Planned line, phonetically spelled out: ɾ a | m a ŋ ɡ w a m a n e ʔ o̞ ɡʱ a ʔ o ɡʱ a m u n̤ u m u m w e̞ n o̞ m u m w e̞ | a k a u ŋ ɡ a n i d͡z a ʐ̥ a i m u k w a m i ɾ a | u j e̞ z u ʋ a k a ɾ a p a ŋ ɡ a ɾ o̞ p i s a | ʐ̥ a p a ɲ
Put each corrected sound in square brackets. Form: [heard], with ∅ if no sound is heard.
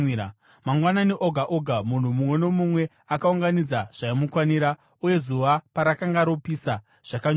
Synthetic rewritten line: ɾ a | m a ŋ ɡ w a [n] a n e ʔ o̞ ɡʱ a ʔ o ɡʱ a m u n̤ u m u m w e̞ n o̞ m u m w e̞ | a k a u ŋ ɡ a n i d͡z a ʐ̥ a i m u k w a [n] i ɾ a | u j e̞ z u ʋ a [p] a ɾ a [k] a ŋ ɡ a ɾ o̞ p i s a | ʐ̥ a [k] a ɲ